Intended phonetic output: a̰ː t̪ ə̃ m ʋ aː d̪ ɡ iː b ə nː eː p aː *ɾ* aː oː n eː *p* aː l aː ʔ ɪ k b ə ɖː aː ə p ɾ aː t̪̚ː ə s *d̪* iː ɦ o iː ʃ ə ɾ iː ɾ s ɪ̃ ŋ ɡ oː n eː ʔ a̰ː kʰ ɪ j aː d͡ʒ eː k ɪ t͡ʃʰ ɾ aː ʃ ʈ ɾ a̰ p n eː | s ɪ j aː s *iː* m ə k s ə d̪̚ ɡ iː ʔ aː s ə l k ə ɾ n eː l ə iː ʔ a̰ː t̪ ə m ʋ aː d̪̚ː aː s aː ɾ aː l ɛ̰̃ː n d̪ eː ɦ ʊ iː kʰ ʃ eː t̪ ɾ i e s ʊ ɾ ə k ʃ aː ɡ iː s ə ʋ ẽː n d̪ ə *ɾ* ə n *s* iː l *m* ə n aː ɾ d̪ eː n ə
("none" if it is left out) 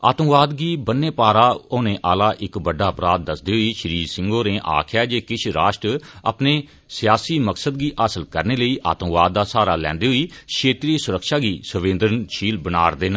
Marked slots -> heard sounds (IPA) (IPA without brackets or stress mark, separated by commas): ɾ, ʔ, d̪, iː, ɾ, ʃ, b